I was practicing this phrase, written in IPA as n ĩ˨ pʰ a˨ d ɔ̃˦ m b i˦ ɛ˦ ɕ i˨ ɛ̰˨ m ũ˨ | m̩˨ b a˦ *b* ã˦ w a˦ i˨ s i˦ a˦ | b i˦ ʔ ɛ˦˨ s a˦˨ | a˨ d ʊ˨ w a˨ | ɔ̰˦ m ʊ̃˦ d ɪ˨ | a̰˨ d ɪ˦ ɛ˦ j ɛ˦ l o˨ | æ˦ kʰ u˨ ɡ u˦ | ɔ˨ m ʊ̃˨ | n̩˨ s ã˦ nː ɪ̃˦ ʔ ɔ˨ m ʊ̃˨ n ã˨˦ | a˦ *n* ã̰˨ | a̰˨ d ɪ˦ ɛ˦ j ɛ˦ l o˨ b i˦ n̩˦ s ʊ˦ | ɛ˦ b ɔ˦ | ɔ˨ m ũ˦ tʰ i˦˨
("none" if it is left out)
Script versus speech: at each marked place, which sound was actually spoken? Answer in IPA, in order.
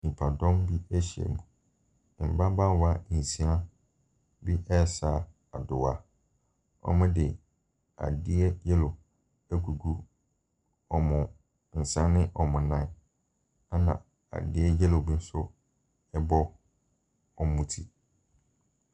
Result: b, n

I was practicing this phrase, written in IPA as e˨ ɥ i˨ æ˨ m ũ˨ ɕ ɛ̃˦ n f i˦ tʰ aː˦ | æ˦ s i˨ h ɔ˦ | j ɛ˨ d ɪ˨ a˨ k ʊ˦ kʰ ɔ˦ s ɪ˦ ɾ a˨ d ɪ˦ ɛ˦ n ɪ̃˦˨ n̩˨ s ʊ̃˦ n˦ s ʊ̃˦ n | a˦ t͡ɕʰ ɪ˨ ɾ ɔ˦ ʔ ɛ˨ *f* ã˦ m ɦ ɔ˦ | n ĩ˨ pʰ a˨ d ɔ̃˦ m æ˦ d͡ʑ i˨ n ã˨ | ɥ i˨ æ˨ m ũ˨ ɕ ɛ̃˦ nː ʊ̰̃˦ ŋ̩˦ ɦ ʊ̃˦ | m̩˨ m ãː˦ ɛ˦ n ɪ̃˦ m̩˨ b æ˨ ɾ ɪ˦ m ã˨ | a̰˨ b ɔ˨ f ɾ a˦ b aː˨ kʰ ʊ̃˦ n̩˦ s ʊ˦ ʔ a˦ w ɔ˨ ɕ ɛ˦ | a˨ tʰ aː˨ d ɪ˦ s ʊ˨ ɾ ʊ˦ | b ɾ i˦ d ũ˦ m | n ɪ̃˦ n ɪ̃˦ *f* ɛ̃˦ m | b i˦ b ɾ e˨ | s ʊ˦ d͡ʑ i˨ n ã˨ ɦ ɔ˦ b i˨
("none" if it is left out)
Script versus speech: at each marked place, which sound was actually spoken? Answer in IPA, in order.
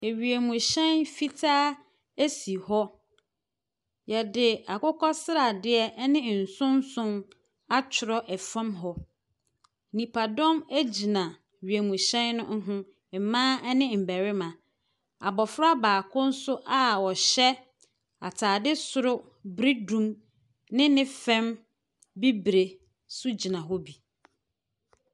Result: f, f

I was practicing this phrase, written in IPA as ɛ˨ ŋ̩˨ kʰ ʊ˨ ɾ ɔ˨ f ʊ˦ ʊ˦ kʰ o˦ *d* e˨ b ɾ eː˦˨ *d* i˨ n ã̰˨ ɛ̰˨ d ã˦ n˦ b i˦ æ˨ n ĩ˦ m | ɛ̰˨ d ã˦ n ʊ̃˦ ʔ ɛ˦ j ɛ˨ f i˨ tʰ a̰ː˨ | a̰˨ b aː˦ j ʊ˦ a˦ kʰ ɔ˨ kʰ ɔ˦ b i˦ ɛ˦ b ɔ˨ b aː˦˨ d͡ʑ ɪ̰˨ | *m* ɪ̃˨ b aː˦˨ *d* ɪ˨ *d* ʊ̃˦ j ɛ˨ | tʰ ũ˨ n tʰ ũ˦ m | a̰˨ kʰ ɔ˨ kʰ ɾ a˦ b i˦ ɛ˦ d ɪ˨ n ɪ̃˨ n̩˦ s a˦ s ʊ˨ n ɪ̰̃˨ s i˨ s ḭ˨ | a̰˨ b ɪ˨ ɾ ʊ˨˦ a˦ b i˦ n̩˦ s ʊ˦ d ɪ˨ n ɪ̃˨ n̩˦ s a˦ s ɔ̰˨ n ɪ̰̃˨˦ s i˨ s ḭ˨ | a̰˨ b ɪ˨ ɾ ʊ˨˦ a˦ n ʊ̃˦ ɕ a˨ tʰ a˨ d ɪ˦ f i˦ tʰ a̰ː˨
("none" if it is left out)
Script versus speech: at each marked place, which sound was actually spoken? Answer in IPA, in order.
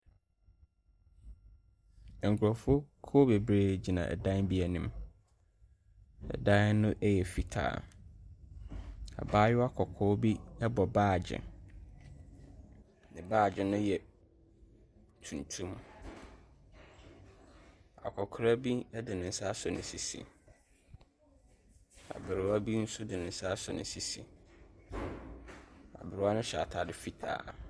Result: b, d͡ʑ, n, d͡ʑ, n

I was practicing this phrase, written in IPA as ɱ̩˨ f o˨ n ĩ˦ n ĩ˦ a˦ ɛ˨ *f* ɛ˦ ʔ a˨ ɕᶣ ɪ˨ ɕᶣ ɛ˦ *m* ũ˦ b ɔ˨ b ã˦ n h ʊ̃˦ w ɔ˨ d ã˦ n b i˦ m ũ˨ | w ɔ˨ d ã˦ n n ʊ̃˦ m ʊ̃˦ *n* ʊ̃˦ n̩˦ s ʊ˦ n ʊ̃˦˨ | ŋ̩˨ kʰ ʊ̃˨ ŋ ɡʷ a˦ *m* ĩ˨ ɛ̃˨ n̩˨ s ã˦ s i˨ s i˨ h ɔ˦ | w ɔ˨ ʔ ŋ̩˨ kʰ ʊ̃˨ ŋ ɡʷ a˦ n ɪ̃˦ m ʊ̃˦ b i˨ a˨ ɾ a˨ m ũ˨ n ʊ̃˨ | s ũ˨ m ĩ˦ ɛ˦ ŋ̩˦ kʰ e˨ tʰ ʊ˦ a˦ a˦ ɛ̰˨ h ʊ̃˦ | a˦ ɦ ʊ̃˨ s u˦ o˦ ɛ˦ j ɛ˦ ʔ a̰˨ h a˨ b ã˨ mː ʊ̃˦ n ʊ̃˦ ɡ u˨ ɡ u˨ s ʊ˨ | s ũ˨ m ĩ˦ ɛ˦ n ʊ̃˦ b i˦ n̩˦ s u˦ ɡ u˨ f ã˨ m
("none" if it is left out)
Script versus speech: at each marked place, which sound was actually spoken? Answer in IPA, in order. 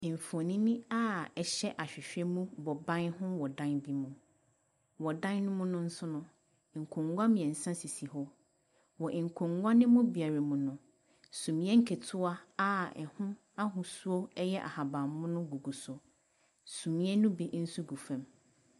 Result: ɕ, m, n, m

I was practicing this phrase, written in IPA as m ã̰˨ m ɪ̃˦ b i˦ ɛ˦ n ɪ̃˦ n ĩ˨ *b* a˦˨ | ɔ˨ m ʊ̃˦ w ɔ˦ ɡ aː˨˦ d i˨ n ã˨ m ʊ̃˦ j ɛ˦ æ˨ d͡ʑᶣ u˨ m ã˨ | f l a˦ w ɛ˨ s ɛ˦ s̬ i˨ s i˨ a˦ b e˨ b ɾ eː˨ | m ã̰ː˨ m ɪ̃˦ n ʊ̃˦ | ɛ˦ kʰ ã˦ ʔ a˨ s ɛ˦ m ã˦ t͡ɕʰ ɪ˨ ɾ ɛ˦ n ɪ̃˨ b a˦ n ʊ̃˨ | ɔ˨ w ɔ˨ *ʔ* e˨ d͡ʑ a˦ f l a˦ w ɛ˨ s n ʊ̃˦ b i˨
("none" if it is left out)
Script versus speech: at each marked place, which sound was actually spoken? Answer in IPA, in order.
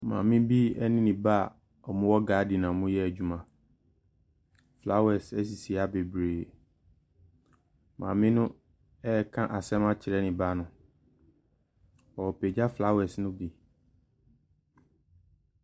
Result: b, p

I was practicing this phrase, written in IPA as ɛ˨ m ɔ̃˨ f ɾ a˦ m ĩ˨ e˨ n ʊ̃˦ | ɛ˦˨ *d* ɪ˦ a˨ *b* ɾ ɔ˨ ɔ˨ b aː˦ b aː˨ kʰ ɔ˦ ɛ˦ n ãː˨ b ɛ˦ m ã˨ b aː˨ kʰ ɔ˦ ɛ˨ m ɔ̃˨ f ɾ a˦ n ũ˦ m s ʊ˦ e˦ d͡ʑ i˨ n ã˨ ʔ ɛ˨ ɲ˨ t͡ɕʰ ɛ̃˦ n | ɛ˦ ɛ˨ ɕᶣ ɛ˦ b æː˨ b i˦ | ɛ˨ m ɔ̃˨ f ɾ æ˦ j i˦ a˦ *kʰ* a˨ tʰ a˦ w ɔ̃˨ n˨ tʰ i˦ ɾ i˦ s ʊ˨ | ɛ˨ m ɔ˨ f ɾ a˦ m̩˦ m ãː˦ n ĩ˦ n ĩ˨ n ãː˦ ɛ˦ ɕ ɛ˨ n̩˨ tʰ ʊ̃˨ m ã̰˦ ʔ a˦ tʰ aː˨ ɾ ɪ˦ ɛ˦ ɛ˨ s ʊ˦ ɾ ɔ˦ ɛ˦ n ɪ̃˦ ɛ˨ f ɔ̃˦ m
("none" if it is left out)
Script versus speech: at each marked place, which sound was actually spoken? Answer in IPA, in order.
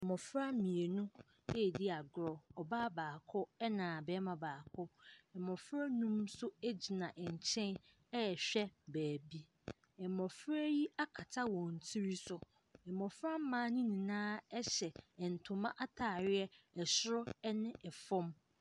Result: d, ɡ, kʰ

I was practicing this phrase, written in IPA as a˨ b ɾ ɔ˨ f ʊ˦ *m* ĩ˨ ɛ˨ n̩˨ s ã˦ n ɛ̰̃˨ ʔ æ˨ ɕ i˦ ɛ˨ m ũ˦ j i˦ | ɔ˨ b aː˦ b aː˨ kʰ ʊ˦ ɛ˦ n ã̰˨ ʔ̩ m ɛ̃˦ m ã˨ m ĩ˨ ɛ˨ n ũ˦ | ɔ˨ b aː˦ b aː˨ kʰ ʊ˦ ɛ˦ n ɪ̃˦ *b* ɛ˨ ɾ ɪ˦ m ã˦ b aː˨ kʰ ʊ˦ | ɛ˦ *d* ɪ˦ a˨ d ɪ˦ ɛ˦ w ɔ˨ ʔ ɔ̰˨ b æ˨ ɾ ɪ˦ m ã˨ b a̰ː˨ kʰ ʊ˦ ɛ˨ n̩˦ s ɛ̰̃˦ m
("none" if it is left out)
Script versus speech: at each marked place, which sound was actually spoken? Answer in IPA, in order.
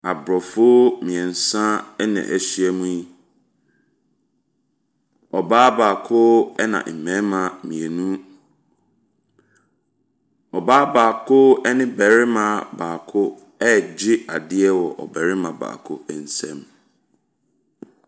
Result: m, b, d͡ʑ

